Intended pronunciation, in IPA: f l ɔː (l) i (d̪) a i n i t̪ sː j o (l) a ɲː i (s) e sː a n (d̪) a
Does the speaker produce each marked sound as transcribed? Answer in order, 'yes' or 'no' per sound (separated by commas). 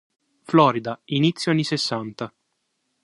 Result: no, yes, no, yes, no